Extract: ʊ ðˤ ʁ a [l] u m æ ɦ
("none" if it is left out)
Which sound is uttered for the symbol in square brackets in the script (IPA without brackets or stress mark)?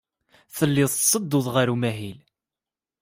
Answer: ɾ